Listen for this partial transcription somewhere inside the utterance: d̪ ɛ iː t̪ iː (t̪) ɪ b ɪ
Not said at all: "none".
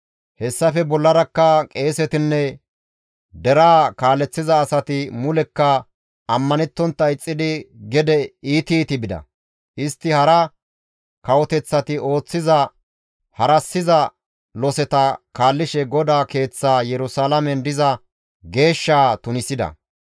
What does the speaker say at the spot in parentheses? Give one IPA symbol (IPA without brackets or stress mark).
t̪